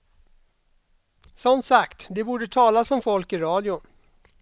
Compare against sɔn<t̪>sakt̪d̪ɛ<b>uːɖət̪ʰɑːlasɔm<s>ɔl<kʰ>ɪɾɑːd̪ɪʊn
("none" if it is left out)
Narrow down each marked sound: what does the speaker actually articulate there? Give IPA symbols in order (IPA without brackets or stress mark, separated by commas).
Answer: t̪, b, f, k